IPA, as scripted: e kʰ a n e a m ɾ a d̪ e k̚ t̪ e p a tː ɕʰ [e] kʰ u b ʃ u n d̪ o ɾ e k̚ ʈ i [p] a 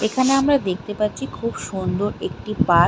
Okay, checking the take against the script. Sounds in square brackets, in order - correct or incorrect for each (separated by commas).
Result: incorrect, correct